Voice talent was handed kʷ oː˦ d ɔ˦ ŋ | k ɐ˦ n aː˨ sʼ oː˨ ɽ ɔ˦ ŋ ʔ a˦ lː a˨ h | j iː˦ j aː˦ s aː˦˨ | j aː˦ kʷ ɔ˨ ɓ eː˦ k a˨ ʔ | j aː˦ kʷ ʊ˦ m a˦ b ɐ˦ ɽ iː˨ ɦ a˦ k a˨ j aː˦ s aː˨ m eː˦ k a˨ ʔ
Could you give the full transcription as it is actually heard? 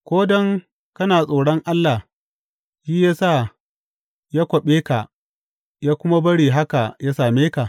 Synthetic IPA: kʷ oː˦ d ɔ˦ ŋ | k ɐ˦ n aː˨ sʼ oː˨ ɽ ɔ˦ ŋ ʔ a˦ lː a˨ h | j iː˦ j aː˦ s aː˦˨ | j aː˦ kʷ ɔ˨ ɓ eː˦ k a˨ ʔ | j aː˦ kʷ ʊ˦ m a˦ b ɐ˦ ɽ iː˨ ɦ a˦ k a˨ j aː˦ s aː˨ m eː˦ k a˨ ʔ